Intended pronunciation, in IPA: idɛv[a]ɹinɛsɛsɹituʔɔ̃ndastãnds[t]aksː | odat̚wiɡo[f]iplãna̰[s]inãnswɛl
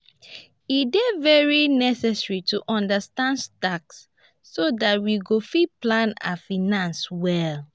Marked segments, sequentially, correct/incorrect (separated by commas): incorrect, correct, correct, incorrect